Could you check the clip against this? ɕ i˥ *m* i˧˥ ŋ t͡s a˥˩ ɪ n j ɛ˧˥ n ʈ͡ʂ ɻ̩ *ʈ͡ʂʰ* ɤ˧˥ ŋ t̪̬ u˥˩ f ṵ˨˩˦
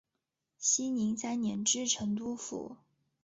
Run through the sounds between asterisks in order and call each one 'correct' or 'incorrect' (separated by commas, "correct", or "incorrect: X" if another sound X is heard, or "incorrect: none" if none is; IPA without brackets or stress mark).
incorrect: n, correct